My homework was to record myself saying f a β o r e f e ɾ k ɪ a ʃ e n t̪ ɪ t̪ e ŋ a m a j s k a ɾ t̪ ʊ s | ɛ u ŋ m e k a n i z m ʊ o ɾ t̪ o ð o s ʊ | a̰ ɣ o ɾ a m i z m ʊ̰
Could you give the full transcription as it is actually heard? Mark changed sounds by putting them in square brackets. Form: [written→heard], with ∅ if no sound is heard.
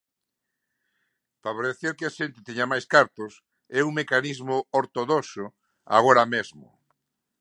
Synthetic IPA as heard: f a β o [r→ɾ] e [f→θ] e ɾ k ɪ a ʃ e n t̪ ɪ t̪ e [ŋ→ɲ] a m a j s k a ɾ t̪ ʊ s | ɛ u ŋ m e k a n i z m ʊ o ɾ t̪ o ð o s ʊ | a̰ ɣ o ɾ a m [i→e] z m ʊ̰